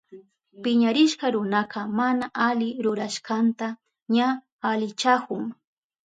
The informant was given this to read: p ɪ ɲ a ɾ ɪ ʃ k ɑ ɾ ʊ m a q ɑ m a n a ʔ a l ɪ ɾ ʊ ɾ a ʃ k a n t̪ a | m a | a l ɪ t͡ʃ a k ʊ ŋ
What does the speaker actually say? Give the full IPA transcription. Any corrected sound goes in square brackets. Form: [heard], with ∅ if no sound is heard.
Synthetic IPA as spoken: p ɪ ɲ a ɾ ɪ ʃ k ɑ ɾ ʊ [n] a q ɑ m a n a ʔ a l ɪ ɾ ʊ ɾ a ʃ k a n t̪ a | [ɲ] a | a l ɪ t͡ʃ a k ʊ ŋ